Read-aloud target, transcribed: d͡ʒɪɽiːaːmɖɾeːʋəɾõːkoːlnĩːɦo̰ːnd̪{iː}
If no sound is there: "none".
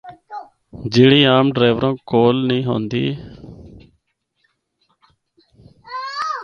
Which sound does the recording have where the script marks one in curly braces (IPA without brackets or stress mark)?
iː